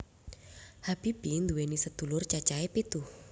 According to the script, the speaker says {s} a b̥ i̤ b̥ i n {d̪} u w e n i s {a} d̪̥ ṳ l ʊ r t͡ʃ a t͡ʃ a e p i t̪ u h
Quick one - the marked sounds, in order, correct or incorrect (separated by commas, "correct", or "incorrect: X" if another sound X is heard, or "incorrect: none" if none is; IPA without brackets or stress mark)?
incorrect: h, correct, incorrect: ə